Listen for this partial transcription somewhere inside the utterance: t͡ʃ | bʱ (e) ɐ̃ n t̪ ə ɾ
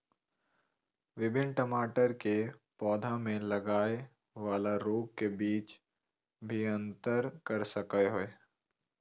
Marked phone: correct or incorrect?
incorrect: i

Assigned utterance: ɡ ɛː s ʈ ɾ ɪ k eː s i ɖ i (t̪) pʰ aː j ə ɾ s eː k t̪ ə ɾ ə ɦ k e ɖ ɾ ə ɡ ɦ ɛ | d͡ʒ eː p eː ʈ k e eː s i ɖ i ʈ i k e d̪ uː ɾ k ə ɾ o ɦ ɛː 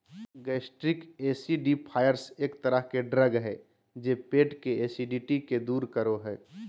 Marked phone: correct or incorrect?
incorrect: none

